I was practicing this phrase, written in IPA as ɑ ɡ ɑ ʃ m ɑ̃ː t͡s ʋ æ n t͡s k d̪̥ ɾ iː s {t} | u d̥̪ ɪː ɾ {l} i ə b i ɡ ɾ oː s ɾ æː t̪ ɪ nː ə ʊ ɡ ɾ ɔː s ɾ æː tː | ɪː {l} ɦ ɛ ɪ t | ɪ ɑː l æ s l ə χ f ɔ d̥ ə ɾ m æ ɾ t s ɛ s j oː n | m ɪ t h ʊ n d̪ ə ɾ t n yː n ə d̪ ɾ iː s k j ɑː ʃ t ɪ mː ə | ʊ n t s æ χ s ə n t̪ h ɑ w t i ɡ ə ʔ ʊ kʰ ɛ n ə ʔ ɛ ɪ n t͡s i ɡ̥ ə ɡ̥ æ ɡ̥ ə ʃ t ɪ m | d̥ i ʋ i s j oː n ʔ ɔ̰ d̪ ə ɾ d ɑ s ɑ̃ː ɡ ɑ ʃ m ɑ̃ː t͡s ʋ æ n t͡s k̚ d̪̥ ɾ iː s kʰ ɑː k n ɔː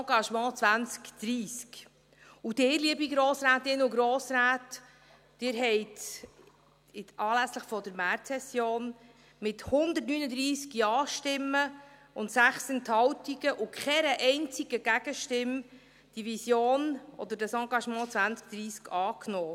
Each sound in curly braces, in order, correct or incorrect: incorrect: k, correct, incorrect: ɾ

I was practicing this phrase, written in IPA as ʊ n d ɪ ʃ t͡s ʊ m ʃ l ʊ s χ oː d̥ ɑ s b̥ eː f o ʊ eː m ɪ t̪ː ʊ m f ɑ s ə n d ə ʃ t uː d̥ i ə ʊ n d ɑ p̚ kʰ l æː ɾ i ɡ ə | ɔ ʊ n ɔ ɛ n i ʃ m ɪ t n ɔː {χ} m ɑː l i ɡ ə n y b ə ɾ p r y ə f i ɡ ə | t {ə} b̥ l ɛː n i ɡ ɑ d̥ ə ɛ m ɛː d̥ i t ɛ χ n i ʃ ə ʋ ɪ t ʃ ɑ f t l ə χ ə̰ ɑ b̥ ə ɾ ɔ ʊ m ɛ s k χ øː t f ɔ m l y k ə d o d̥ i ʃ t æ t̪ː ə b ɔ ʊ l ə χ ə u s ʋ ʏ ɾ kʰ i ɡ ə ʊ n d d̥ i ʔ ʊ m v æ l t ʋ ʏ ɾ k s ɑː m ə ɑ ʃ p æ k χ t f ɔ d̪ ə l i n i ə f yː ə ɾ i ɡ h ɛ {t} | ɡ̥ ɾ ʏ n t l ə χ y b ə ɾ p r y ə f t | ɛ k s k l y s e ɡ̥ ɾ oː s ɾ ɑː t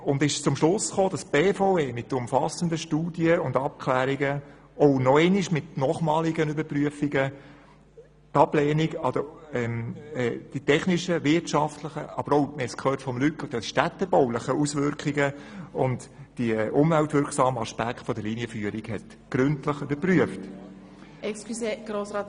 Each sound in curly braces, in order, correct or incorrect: correct, incorrect: ɑ, correct

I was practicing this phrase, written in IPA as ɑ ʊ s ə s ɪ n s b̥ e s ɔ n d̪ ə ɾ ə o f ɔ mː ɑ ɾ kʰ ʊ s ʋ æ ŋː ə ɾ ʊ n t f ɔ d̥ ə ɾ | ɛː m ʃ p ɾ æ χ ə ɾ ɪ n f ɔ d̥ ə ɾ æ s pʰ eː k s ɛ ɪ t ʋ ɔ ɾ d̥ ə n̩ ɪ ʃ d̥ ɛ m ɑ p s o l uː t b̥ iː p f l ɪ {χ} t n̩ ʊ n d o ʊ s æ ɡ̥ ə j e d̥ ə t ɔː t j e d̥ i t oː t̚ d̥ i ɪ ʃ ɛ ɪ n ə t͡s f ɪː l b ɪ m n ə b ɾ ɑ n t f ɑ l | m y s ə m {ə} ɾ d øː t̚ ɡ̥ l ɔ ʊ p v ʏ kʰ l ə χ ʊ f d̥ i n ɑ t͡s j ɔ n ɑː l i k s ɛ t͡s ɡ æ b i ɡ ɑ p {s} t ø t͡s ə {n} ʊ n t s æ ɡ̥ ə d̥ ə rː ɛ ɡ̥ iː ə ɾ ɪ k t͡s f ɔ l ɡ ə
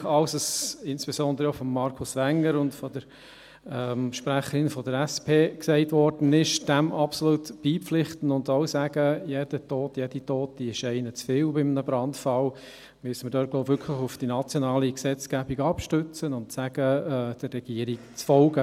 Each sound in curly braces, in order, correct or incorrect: correct, correct, incorrect: ʃ, correct

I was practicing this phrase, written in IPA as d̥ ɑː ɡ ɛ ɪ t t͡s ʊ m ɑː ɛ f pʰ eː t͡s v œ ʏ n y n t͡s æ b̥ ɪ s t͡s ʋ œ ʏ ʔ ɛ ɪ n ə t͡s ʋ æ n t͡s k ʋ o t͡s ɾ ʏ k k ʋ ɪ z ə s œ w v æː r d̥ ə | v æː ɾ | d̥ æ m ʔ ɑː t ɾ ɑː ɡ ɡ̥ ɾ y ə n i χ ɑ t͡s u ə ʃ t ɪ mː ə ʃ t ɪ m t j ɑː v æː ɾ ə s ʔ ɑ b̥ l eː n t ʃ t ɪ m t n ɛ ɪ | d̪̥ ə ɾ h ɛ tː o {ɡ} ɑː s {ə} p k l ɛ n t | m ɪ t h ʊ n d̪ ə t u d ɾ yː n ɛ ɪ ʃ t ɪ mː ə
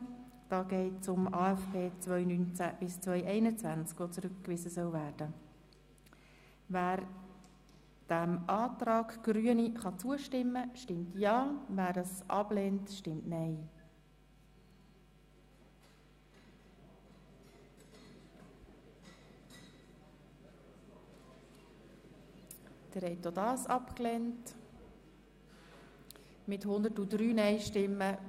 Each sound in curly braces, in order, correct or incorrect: incorrect: d, incorrect: ɑ

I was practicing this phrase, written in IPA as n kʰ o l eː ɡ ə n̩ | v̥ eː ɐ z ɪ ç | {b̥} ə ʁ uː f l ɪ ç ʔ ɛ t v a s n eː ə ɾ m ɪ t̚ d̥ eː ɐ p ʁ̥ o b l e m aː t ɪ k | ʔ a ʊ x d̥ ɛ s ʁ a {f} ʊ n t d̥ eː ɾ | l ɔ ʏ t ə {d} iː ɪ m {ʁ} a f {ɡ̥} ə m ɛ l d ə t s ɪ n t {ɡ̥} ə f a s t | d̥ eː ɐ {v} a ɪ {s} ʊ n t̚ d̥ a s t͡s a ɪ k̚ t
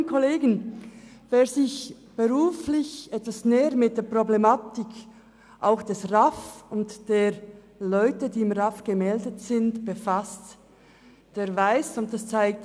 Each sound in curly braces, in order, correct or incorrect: correct, correct, correct, correct, correct, incorrect: b̥, correct, correct

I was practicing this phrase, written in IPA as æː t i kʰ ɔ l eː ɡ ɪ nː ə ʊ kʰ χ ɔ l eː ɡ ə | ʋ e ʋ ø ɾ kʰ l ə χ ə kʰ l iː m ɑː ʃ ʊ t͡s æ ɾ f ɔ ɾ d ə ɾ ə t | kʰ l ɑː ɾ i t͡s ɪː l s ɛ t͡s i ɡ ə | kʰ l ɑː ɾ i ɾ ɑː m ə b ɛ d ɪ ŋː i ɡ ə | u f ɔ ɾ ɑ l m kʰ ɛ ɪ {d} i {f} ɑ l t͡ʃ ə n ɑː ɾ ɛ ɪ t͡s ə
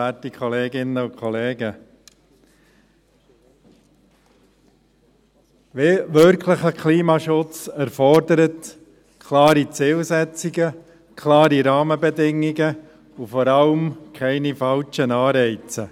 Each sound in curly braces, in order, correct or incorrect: incorrect: n, correct

